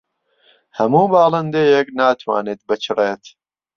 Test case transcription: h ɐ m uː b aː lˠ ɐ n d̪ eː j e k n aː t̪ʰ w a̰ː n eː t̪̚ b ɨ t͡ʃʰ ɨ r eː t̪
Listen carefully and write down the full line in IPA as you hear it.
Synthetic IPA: h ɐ m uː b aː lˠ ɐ n d̪ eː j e k n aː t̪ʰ w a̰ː n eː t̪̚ b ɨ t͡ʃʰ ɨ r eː t̪